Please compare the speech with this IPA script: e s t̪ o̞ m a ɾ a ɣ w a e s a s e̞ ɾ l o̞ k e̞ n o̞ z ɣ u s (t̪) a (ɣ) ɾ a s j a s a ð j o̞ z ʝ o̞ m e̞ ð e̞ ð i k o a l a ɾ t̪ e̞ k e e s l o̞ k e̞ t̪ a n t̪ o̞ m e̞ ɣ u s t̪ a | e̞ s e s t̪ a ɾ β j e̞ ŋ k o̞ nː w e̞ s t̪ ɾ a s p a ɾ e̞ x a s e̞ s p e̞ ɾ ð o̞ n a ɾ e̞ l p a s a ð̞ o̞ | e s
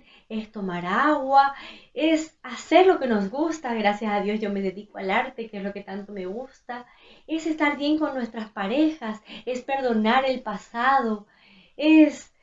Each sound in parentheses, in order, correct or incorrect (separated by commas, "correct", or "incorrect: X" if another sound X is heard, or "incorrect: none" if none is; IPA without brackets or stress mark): correct, correct